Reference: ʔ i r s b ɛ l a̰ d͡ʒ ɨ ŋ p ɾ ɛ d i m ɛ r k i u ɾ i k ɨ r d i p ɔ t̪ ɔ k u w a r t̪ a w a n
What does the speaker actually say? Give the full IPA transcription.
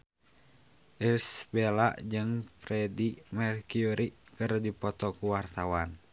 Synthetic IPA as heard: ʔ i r s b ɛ l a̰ d͡ʒ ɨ ŋ p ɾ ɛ d i m ɛ r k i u ɾ i k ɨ r d i p ɔ t̪ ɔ k u w a r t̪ a w a n